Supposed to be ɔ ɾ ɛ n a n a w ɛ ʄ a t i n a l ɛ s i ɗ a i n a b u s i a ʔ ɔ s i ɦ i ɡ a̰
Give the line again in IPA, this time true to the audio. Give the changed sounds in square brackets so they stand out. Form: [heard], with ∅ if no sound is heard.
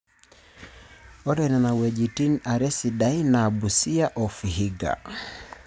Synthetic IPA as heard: ɔ ɾ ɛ n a n a w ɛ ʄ [i] t i n a [ɾ] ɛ s i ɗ a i n a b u s i a ʔ ɔ [f] i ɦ i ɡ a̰